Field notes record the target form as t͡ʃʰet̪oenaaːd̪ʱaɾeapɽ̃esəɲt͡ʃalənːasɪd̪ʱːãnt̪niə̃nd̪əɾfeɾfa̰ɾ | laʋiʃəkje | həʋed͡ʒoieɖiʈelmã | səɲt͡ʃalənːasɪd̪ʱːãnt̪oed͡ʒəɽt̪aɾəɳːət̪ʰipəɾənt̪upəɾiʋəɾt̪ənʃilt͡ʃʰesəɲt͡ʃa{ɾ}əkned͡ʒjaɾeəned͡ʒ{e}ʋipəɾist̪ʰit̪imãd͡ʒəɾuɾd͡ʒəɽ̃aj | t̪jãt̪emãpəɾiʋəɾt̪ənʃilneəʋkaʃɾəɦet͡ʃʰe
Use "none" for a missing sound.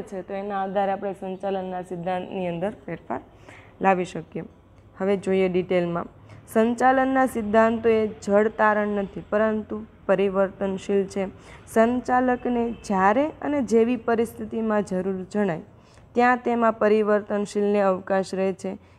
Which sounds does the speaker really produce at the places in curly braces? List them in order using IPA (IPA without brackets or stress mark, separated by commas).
l, e